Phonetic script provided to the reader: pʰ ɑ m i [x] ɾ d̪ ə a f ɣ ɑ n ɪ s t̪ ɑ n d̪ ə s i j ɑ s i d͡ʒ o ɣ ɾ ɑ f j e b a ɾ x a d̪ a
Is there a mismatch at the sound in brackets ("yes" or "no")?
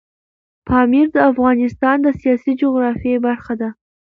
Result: yes